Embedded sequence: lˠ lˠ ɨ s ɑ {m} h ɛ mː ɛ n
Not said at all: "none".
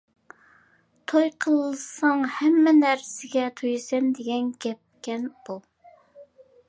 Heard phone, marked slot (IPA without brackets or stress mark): ŋ